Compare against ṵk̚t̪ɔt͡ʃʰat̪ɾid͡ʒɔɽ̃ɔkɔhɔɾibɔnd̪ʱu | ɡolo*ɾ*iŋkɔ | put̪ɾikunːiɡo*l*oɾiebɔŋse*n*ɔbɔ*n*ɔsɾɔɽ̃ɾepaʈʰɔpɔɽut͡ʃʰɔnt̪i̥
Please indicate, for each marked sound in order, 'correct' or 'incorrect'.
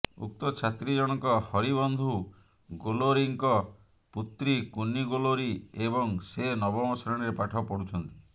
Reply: correct, correct, correct, incorrect

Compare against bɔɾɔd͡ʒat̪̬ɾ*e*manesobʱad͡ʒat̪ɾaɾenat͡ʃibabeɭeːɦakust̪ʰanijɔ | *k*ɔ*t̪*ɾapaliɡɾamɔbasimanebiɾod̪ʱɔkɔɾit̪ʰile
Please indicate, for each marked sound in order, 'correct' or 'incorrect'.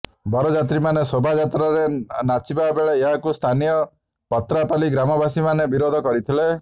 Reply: incorrect, incorrect, correct

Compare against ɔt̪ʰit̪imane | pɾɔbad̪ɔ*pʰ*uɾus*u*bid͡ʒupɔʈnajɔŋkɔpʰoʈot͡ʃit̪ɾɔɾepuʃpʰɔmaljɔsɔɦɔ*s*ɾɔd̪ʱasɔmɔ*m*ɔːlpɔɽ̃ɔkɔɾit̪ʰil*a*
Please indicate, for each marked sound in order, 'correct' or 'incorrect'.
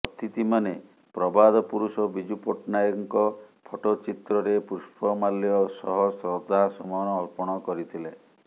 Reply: incorrect, incorrect, correct, incorrect, incorrect

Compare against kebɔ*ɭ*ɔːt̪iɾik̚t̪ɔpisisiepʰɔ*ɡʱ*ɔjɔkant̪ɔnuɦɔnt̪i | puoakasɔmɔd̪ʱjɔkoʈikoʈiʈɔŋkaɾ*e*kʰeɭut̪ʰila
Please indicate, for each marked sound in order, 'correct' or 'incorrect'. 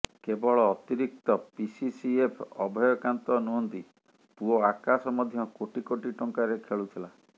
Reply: correct, incorrect, correct

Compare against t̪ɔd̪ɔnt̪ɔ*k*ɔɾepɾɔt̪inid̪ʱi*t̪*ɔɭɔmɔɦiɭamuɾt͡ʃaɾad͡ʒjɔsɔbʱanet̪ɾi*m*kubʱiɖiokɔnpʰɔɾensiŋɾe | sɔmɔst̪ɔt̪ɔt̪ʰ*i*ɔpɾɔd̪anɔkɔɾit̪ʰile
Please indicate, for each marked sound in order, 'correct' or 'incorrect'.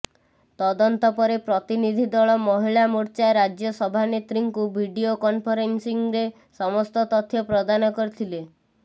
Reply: incorrect, incorrect, incorrect, incorrect

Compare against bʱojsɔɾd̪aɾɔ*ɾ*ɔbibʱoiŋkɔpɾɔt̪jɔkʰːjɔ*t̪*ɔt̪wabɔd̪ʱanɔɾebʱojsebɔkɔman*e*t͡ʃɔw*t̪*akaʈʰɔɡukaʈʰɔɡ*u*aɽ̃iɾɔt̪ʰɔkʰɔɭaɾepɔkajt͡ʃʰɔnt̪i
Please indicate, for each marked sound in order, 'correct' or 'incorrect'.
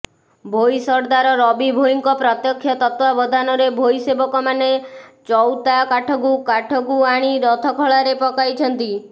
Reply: correct, correct, correct, correct, correct

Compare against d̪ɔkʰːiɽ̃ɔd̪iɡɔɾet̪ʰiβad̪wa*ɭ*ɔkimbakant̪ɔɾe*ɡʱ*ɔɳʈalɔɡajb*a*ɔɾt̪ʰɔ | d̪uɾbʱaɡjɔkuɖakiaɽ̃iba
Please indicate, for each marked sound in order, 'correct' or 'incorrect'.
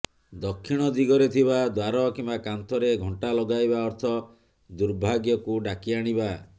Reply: incorrect, correct, correct

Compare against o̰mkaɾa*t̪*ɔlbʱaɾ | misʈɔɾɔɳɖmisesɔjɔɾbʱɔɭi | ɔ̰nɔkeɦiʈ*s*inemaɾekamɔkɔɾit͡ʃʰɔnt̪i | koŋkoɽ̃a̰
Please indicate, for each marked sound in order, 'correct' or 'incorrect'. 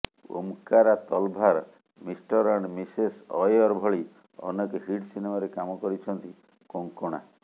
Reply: correct, correct

